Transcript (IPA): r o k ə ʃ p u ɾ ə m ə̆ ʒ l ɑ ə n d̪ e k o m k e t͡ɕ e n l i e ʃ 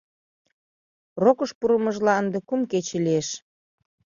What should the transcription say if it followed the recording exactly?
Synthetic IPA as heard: r o k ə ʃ p u ɾ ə m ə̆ ʒ l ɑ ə n d̪ e k u m k e t͡ɕ e l i e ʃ

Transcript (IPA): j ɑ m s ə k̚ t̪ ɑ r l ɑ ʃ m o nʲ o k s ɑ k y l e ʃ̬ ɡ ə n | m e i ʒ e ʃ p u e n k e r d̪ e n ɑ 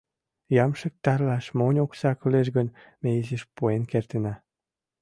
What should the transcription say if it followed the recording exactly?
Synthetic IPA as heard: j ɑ m ʃ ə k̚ t̪ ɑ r l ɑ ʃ m o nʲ o k s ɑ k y l e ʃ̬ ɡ ə n | m e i z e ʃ p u e n k e r t̪ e n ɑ

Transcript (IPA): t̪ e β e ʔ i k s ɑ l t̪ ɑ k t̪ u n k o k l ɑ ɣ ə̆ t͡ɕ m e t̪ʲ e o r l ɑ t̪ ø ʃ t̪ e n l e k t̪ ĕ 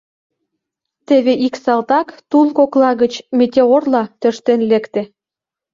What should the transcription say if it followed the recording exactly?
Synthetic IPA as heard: t̪ e β e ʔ i k s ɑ l t̪ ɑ k t̪ u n k o k l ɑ ɣ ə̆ t͡ɕ m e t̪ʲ e o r l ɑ t̪ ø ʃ t̪ e n l e k t̪ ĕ

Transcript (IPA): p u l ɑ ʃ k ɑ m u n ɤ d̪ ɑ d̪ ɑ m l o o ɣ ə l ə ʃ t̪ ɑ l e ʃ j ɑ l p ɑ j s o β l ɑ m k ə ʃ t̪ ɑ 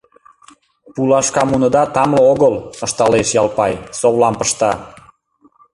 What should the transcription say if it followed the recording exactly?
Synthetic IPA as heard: p u l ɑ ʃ k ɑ m u n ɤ d̪ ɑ t̪ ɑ m l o o ɣ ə l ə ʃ t̪ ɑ l e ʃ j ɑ l p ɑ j s o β l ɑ m p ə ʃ t̪ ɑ

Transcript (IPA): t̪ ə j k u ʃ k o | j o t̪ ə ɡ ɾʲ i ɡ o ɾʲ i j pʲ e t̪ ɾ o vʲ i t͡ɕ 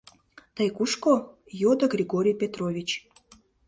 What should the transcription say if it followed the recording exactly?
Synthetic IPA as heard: t̪ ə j k u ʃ k o | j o d̪ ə ɡ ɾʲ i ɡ o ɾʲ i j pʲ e t̪ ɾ o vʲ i t͡ɕ

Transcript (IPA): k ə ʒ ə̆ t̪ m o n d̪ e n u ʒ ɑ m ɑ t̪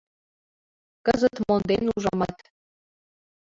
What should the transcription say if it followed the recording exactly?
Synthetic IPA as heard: k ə z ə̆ t̪ m o n d̪ e n u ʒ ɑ m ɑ t̪

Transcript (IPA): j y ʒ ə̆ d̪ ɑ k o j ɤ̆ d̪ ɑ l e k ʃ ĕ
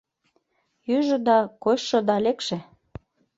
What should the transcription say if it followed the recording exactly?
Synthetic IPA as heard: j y ʒ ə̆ d̪ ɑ k o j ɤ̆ d̪ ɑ l e k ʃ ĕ

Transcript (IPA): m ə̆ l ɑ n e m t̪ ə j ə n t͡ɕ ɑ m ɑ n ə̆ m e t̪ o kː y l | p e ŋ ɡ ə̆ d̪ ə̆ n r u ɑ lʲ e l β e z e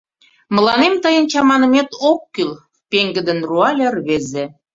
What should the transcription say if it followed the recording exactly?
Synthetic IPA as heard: m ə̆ l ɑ n e m t̪ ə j ə n t͡ɕ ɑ m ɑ n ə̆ m e t̪ o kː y l | p e ŋ ɡ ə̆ d̪ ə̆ n r u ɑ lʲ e r β e z e

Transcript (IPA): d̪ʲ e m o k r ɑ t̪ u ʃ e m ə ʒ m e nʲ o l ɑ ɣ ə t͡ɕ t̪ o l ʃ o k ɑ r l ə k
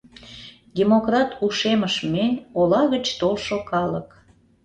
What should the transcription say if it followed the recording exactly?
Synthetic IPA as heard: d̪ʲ e m o k r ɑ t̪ u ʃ e m ə ʃ m e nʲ o l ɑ ɣ ə t͡ɕ t̪ o l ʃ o k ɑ l ə k

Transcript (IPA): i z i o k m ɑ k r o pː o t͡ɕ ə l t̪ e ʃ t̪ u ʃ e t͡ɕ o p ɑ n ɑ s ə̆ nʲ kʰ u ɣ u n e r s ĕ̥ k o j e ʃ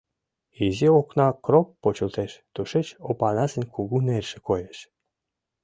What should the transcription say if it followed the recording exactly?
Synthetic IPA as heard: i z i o k n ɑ k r o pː o t͡ɕ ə l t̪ e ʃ t̪ u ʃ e t͡ɕ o p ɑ n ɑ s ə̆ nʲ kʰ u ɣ u n e r ʃ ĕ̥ k o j e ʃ

